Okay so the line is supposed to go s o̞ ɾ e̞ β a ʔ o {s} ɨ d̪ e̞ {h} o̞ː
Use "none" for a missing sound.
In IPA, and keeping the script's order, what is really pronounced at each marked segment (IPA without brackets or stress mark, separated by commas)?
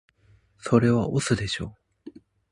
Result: s, ɕ